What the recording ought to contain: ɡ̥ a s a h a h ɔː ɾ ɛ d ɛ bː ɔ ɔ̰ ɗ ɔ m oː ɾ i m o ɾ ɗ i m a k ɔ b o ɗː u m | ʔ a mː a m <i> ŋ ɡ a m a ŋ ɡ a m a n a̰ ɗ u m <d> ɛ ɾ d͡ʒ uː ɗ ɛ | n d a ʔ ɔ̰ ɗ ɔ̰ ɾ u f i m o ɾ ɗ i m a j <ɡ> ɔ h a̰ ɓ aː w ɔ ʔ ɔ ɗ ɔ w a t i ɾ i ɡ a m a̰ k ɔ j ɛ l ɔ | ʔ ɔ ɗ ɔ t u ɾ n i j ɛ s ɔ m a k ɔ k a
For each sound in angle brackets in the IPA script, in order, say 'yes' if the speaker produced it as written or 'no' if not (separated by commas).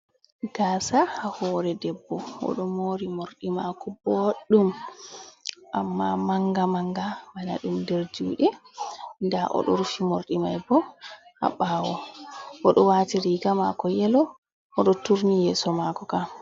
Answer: no, yes, no